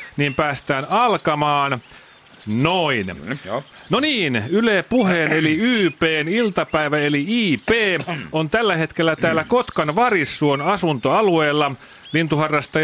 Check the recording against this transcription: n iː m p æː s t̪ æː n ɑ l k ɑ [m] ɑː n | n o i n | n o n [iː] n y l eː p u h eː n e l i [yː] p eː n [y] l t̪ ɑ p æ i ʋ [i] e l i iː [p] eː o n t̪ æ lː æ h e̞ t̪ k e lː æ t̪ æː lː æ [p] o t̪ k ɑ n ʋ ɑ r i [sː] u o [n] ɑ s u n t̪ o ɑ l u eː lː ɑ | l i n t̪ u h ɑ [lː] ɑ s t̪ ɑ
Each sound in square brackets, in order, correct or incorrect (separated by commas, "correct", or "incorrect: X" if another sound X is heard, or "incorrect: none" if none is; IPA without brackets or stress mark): correct, correct, correct, incorrect: i, incorrect: æ, correct, incorrect: k, correct, correct, incorrect: rː